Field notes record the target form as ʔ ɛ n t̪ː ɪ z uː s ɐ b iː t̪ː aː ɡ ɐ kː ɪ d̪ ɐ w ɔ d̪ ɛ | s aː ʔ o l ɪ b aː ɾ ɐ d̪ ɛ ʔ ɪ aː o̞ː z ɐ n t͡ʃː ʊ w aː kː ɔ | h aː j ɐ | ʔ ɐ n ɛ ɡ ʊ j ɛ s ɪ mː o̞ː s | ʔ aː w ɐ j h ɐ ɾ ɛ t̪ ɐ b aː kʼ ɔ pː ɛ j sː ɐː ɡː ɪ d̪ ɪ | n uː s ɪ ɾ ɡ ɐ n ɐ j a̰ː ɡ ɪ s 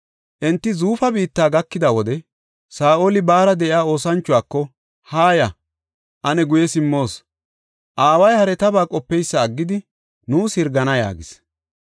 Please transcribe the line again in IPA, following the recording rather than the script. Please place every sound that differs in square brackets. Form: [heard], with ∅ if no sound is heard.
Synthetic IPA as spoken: ʔ ɛ n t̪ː ɪ z uː [f] ɐ b iː t̪ː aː ɡ ɐ kː ɪ d̪ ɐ w ɔ d̪ ɛ | s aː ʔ o l ɪ b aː ɾ ɐ d̪ ɛ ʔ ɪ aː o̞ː [s] ɐ n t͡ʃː ʊ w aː kː ɔ | h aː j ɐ | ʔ ɐ n ɛ ɡ ʊ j ɛ s ɪ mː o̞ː s | ʔ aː w ɐ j h ɐ ɾ ɛ t̪ ɐ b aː kʼ ɔ pː ɛ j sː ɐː ɡː ɪ d̪ ɪ | n uː s ɪ ɾ ɡ ɐ n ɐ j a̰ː ɡ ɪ s